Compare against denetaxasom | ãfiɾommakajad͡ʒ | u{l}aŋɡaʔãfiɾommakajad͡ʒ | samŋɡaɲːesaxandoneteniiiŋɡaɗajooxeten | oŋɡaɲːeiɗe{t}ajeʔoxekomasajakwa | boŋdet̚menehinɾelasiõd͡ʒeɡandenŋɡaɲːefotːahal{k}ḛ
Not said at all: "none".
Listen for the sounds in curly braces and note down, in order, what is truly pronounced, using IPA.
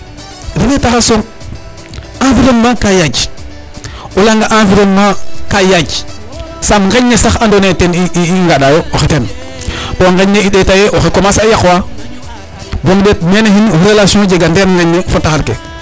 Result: l, t, k

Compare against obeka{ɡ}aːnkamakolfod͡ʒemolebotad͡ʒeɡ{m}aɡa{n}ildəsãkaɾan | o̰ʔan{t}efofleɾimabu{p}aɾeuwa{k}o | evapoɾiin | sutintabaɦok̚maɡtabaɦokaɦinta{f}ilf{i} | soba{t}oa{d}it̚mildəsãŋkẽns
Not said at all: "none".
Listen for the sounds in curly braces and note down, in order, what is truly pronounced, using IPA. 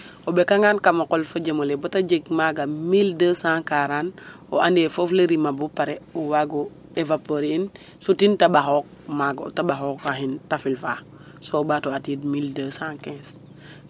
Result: ŋ, m, m, d, p, ɡ, f, a, t, t

